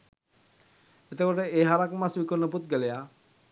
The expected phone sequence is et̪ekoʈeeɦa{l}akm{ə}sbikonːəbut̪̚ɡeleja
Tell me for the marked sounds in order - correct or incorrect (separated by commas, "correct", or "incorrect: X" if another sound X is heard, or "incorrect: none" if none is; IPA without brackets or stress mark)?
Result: incorrect: ɾ, incorrect: a